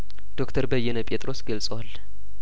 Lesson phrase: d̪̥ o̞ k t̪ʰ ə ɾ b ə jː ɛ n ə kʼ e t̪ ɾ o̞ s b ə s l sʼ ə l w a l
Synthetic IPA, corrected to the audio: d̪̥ o̞ k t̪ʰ ə ɾ b ə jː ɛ n ə pʼ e t̪ʼ ɾ o̞ s ɡ ə l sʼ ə w a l